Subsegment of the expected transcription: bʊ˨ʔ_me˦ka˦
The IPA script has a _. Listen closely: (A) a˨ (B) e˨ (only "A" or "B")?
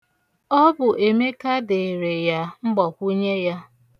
B